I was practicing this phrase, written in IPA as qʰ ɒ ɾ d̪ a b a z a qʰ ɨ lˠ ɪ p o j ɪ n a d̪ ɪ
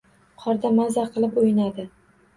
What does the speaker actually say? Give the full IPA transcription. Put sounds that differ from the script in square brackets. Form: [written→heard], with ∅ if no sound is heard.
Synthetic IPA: qʰ ɒ ɾ d̪ a [b→m] a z a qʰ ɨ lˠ ɪ p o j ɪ n a d̪ ɪ